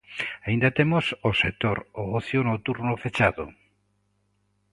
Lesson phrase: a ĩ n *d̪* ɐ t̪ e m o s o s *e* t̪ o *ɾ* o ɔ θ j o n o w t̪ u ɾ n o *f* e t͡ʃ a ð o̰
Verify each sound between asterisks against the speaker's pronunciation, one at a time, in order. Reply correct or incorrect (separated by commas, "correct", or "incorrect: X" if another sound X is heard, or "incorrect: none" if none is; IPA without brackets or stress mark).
correct, correct, correct, correct